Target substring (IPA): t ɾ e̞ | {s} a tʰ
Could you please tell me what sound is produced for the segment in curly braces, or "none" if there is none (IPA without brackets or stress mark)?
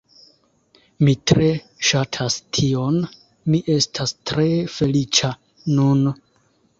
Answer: ʃ